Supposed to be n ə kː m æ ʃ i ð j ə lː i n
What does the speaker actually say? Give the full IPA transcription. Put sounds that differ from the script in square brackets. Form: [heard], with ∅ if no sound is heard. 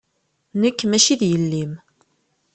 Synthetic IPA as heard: n ə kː m æ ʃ i ð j ə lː i [m]